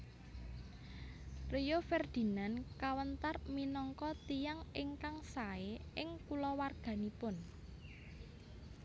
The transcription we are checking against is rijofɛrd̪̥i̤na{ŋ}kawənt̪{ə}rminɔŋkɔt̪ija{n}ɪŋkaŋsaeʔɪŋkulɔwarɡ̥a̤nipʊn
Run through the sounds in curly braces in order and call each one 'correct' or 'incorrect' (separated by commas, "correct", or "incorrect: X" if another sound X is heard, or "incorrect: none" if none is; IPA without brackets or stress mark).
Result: incorrect: n, incorrect: a, incorrect: ŋ